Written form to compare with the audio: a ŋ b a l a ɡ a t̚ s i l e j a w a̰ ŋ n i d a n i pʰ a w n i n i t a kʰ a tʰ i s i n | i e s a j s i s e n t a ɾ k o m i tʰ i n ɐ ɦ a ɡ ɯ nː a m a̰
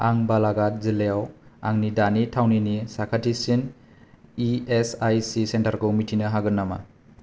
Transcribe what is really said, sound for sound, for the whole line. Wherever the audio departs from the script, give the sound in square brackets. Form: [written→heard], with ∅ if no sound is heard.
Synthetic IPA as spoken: a ŋ b a l a ɡ a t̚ [s→z] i l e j a w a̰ ŋ n i d a n i [pʰ→tʰ] a w n i n i [t→s] a kʰ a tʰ i s i n | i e s a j s i s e n t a ɾ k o m i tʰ i n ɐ ɦ a ɡ ɯ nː a m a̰